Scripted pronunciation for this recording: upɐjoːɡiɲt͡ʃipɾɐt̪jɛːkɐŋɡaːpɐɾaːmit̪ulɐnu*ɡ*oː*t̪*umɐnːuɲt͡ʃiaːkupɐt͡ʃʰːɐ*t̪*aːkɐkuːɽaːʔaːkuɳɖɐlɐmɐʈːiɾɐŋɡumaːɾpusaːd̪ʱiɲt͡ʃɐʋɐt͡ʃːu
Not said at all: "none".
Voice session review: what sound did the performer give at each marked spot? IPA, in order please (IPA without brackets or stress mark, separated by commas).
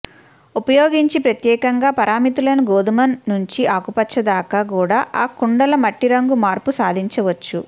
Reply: ɡ, d̪, d̪